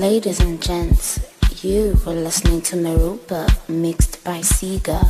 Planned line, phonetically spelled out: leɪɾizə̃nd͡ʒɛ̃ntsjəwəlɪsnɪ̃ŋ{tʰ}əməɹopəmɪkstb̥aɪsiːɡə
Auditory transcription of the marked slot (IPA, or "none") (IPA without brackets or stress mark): tʰ